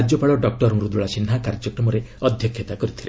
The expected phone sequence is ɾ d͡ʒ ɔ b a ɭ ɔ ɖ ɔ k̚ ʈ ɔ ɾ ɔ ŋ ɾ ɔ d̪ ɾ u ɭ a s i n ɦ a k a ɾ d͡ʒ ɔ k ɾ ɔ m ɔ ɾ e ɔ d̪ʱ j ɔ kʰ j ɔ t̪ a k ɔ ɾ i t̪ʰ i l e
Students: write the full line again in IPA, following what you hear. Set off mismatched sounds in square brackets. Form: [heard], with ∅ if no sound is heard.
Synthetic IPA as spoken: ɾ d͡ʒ ɔ [p] a ɭ ɔ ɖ ɔ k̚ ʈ ɔ ɾ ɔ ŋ ɾ [u] d̪ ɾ u ɭ a s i n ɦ a k a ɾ d͡ʒ ɔ k ɾ ɔ m ɔ ɾ e ɔ d̪ʱ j ɔ kʰ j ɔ t̪ a k ɔ ɾ i t̪ʰ i l e